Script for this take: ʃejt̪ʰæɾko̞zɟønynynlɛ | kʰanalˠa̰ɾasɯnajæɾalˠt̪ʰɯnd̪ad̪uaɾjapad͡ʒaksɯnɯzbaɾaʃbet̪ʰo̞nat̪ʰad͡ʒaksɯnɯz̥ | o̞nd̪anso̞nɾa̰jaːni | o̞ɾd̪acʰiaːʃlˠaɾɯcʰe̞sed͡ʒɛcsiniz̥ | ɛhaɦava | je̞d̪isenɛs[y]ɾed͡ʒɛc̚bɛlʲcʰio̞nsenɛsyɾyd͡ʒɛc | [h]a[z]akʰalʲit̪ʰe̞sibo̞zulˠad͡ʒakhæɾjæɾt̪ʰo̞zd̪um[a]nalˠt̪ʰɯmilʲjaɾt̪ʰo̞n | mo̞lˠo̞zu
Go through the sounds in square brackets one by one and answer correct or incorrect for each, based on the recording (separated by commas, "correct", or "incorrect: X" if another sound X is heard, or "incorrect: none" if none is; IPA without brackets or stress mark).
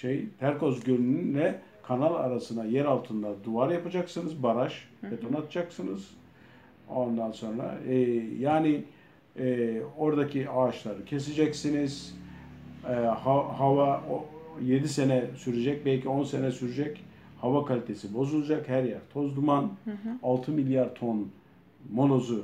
correct, correct, incorrect: v, correct